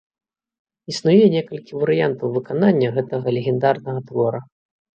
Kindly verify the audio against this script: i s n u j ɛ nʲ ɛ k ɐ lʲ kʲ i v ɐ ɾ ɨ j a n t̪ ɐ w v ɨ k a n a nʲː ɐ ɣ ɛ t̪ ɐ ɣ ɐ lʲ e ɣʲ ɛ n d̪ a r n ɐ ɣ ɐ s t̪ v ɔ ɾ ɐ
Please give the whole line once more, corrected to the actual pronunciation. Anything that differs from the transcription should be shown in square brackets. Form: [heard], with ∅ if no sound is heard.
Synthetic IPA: i s n u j ɛ nʲ ɛ k ɐ lʲ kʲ i v ɐ ɾ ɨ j a n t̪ ɐ w v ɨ k a n a nʲː ɐ ɣ ɛ t̪ ɐ ɣ ɐ lʲ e ɣʲ ɛ n d̪ a r n ɐ ɣ ɐ [∅] t̪ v ɔ ɾ ɐ